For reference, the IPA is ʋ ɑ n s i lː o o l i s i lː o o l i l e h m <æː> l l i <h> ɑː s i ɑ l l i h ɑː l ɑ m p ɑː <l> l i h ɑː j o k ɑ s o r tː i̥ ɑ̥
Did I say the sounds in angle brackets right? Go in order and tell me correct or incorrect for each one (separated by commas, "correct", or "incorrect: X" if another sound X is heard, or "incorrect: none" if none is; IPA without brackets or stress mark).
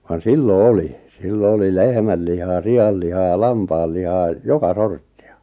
incorrect: æ, correct, correct